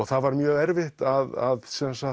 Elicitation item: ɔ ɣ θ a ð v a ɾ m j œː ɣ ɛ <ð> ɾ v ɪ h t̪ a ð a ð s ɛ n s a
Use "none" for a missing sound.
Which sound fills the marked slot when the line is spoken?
none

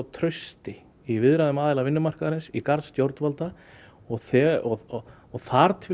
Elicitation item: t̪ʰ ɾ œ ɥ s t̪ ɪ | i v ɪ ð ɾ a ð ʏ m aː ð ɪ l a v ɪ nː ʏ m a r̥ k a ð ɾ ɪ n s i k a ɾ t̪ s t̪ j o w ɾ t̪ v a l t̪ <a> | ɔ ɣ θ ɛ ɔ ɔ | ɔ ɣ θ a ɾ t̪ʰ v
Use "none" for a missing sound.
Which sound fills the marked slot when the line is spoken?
a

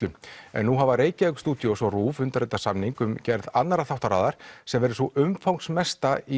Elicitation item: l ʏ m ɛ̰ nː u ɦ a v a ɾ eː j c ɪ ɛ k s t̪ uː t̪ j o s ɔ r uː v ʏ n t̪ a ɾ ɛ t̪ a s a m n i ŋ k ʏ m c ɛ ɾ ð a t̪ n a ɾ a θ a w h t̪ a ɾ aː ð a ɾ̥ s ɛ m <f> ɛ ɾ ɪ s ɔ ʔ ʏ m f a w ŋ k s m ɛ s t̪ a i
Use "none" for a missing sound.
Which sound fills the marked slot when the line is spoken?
v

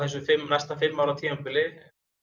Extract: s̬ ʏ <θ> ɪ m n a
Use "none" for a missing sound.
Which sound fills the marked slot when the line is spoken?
f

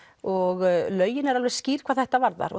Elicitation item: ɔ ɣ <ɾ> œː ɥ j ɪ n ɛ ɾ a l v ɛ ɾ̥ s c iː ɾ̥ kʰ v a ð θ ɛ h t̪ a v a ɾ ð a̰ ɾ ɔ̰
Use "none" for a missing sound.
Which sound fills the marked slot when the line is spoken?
l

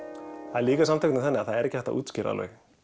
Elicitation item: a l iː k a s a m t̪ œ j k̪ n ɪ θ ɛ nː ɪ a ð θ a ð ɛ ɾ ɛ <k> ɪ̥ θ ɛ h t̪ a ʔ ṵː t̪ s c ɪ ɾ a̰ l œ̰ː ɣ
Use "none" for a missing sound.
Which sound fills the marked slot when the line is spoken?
c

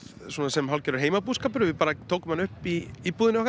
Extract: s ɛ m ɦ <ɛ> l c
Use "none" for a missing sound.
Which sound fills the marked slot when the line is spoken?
a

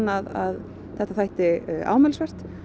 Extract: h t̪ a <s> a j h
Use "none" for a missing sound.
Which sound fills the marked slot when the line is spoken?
θ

